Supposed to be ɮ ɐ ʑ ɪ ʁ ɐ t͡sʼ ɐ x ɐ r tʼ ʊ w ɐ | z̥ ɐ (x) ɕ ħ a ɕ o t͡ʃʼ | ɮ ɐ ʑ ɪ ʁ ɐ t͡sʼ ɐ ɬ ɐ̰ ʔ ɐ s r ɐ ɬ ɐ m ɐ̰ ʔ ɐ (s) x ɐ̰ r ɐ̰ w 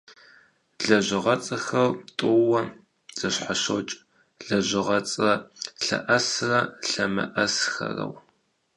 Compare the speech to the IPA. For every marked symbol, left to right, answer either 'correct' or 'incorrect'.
incorrect, correct

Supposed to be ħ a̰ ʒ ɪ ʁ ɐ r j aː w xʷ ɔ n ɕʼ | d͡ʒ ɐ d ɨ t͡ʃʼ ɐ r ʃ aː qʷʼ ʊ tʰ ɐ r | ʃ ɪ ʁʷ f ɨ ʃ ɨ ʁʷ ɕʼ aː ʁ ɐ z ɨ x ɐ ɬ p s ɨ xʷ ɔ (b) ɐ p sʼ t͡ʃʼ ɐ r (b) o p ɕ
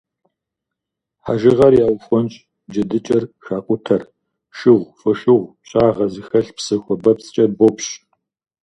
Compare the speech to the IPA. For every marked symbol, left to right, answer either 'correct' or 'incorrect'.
correct, correct

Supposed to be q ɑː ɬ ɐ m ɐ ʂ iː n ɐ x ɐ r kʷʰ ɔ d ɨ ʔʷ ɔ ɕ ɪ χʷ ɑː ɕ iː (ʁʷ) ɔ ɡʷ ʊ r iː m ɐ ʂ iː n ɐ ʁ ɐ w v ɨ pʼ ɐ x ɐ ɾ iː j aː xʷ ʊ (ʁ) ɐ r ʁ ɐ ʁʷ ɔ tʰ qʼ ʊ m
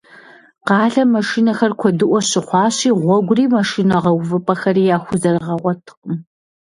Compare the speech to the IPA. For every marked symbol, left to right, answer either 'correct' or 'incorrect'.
correct, incorrect

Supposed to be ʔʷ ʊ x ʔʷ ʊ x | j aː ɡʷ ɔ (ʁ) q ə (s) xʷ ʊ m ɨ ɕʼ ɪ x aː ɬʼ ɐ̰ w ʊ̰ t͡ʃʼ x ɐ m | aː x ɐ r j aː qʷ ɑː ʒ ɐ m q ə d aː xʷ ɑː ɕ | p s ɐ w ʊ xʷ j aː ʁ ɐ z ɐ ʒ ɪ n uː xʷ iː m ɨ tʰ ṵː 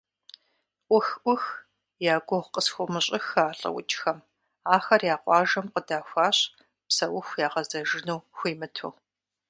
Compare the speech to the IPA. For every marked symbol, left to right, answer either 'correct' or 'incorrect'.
correct, correct

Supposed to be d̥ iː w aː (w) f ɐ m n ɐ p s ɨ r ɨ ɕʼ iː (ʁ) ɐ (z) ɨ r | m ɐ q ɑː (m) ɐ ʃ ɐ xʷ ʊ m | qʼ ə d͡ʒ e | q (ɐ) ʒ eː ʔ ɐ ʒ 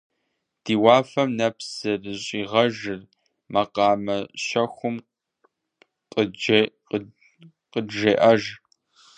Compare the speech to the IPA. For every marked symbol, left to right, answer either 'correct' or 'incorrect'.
incorrect, correct, incorrect, correct, incorrect

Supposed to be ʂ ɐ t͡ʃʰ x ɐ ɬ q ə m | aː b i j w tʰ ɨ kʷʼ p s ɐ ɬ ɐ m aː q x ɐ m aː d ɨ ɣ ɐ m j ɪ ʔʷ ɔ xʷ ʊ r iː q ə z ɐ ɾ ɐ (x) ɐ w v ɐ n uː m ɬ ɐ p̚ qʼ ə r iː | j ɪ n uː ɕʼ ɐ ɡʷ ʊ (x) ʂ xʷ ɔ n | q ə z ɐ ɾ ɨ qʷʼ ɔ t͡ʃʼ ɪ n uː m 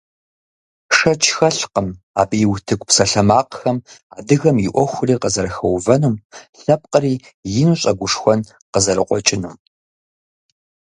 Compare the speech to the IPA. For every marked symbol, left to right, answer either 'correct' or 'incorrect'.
correct, incorrect

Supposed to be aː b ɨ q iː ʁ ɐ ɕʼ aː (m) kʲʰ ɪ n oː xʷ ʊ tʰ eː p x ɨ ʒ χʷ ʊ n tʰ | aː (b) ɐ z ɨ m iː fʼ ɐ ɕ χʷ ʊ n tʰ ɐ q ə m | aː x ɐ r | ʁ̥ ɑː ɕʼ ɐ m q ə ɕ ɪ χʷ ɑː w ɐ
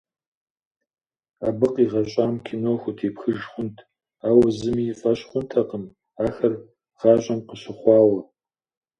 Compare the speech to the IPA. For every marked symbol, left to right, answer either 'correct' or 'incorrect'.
correct, incorrect

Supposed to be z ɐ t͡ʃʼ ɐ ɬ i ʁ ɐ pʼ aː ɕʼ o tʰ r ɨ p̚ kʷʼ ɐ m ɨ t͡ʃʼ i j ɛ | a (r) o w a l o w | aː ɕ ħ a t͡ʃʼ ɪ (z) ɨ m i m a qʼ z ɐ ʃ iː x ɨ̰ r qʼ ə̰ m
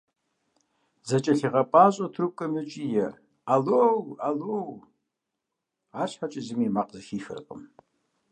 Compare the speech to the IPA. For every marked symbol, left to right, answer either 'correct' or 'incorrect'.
incorrect, correct

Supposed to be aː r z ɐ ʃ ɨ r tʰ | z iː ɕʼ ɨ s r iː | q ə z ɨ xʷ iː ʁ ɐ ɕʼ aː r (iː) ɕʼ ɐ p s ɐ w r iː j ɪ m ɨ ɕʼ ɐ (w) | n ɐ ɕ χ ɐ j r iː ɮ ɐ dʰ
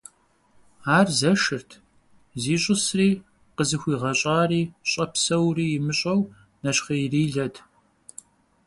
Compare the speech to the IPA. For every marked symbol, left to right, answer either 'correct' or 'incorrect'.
correct, correct

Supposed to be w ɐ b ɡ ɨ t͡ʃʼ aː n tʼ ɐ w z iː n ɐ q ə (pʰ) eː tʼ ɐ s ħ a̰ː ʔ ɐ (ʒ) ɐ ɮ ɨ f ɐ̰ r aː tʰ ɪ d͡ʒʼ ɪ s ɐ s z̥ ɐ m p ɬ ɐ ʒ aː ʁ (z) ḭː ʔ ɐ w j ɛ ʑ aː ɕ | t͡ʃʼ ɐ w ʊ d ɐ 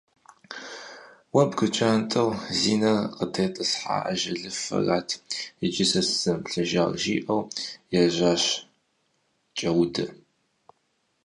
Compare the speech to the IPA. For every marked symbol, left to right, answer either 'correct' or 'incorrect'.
incorrect, correct, incorrect

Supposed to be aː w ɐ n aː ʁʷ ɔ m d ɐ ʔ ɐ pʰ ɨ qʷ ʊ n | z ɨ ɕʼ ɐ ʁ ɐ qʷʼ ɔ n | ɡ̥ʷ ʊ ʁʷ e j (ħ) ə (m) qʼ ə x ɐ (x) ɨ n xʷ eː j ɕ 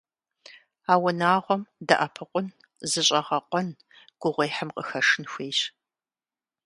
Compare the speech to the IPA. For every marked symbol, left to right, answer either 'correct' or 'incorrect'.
correct, correct, incorrect

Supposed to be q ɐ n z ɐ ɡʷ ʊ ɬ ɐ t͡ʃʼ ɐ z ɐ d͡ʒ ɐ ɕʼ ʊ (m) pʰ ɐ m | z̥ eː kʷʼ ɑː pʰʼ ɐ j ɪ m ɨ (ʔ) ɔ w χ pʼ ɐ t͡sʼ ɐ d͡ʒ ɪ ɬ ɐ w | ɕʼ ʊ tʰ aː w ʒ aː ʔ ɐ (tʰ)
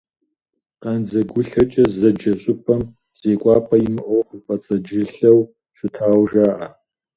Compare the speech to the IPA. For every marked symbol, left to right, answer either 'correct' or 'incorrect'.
incorrect, correct, incorrect

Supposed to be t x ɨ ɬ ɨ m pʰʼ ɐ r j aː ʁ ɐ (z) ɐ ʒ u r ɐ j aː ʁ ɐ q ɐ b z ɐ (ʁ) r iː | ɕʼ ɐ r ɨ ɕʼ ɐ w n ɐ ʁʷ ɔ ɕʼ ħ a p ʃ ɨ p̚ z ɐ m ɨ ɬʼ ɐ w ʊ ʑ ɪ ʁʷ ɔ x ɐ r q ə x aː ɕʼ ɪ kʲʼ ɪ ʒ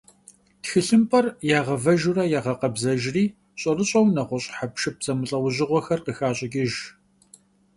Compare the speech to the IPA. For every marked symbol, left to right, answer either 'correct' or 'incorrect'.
incorrect, incorrect

